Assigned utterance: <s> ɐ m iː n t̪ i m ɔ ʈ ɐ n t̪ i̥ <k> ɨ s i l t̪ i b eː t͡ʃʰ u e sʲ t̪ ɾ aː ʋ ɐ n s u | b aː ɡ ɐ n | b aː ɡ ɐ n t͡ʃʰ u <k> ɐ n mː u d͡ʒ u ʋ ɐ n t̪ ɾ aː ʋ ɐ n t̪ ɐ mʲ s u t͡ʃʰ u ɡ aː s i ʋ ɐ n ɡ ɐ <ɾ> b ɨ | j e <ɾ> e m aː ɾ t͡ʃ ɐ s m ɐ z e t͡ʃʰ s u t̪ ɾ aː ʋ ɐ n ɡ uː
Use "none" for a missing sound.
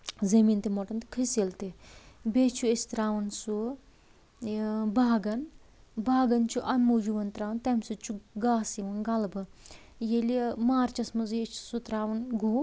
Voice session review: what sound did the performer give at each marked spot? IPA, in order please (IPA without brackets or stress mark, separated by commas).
z, kʰ, ʔ, l, l